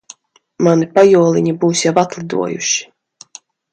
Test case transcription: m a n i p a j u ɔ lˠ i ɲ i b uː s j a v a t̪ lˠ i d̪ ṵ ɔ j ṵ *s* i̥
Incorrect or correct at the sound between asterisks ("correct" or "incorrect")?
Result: incorrect